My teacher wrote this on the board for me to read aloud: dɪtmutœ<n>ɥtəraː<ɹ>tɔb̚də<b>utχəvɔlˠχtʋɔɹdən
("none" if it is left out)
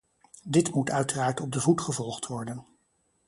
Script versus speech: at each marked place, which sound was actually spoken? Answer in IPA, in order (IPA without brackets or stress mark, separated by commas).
none, ɹ, v